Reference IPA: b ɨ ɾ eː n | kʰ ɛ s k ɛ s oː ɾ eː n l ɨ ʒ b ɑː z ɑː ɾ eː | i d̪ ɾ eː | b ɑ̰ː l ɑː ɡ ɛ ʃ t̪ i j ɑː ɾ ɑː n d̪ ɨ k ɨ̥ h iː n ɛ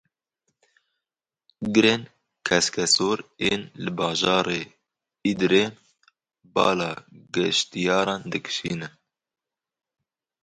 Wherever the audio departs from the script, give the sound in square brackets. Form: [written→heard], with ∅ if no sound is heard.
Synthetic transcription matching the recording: [b→ɡ] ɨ ɾ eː n | kʰ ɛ s k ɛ s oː ɾ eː n l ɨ [ʒ→∅] b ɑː [z→ʒ] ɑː ɾ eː | i d̪ ɾ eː | b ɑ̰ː l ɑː ɡ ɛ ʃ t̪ i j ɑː ɾ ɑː n d̪ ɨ k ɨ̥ [h→ʃ] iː n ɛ